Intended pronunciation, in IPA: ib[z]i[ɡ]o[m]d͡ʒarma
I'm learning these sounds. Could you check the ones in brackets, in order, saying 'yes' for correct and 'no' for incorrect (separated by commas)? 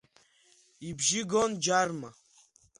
no, yes, no